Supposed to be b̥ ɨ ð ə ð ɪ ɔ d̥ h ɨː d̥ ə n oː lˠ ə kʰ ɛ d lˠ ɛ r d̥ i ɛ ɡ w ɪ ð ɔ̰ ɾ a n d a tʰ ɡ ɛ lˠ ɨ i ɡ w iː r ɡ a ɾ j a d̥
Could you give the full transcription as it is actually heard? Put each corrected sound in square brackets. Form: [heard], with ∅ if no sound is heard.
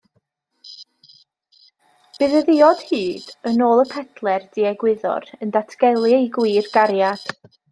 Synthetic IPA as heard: b̥ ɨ ð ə ð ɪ ɔ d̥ h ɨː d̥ ə n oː lˠ ə [pʰ] ɛ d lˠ ɛ r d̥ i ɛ ɡ w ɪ ð ɔ̰ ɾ [ə] n d a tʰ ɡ ɛ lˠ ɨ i ɡ w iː r ɡ a ɾ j a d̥